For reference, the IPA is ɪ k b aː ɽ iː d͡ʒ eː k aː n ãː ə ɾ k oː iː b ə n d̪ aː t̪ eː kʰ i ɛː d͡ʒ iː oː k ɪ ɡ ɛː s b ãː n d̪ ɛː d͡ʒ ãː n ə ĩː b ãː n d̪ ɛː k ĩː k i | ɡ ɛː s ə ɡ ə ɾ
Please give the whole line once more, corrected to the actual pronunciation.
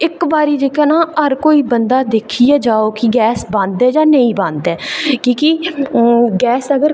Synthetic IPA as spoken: ɪ k b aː ɾ iː d͡ʒ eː k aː n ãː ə ɾ k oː iː b ə n d̪ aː d̪ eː kʰ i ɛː d͡ʒ aː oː k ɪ ɡ ɛː s b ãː n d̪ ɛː d͡ʒ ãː n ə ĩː b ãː n d̪ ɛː k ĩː k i | ɡ ɛː s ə ɡ ə ɾ